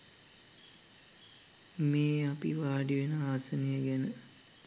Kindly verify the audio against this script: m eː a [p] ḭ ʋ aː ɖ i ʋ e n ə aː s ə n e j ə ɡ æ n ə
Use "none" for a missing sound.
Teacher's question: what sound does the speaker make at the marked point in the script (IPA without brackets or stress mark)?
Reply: p